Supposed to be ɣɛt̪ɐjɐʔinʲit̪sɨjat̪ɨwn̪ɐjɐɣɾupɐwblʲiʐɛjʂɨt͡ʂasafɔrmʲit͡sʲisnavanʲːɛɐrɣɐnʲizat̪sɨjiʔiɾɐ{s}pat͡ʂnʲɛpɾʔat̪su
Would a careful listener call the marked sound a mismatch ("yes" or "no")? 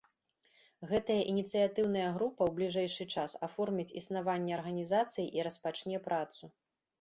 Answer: no